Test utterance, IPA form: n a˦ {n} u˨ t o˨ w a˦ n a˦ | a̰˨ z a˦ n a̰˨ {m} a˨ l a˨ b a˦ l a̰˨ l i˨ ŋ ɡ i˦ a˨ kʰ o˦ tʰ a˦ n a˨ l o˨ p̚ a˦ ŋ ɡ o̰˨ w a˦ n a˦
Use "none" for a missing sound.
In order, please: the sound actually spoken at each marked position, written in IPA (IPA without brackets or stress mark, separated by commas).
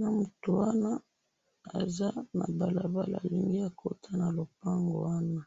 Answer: m, b